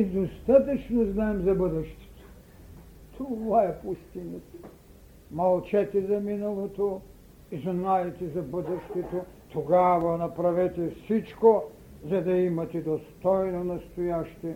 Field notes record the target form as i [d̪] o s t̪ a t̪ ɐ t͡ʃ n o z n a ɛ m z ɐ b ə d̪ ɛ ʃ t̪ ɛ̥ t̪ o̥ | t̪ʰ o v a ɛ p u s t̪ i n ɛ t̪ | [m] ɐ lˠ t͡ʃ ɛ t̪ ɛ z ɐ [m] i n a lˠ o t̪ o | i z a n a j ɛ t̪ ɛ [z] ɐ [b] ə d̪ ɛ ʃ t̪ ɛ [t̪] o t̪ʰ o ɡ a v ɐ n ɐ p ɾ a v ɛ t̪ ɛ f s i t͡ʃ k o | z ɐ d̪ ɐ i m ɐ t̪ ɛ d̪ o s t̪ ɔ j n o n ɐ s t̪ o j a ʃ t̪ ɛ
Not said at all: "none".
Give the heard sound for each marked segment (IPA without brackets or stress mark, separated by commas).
d̪, m, m, z, b, t̪